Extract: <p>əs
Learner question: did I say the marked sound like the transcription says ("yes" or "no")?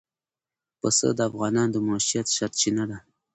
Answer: yes